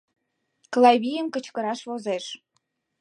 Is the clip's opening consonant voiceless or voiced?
voiceless